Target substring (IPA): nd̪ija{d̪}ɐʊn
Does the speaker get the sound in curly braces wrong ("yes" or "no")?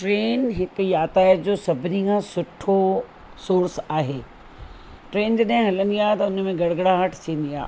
yes